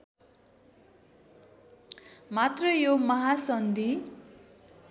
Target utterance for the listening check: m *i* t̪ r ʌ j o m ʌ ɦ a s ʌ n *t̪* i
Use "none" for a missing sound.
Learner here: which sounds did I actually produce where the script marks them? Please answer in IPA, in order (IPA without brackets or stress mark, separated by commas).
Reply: a, d̪